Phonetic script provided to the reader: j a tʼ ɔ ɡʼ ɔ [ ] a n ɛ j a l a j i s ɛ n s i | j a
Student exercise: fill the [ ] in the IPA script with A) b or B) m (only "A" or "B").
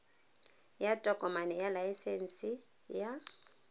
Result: B